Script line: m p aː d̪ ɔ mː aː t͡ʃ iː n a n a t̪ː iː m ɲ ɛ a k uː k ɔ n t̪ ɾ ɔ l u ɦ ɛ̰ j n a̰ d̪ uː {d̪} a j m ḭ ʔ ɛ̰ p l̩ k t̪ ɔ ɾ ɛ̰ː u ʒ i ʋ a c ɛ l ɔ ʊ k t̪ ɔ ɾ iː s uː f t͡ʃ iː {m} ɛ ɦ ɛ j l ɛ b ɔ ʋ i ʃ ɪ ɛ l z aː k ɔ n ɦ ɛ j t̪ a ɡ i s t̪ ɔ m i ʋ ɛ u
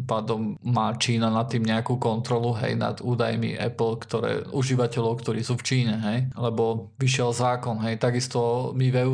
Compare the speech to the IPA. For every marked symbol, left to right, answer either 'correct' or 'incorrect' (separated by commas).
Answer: correct, incorrect